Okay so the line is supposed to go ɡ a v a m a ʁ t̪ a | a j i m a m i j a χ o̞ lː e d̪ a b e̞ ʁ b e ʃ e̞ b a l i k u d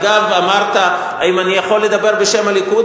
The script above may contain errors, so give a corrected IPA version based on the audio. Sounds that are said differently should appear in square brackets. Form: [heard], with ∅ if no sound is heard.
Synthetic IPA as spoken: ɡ a v a m a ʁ t̪ a | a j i m a [n] i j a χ o̞ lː e d̪ a b e̞ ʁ b e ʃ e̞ [m] a l i k u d